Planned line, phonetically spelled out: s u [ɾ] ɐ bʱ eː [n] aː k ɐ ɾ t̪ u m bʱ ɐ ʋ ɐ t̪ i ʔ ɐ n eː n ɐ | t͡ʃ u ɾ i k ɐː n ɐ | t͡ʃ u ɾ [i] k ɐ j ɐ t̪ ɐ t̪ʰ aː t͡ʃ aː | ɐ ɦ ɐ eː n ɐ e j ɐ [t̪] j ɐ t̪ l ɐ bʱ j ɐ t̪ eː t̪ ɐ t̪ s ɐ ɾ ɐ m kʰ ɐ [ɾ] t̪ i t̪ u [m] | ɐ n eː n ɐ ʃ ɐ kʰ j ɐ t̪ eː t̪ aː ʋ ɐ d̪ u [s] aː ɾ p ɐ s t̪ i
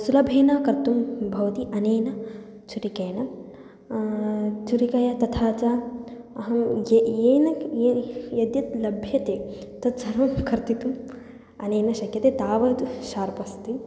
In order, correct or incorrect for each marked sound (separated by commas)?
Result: incorrect, correct, correct, incorrect, correct, correct, incorrect